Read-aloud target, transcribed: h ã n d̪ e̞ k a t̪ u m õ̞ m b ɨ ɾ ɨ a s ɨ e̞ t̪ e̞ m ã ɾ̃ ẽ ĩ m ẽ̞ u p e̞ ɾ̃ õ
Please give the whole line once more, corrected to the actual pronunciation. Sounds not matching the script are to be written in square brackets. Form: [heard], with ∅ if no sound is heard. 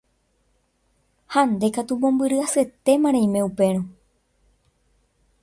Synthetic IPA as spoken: h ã n d̪ e̞ k a t̪ u m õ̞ m b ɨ ɾ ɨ a s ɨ e̞ t̪ e̞ m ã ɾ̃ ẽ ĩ m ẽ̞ u p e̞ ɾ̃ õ